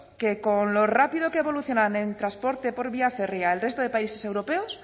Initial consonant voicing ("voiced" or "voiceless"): voiceless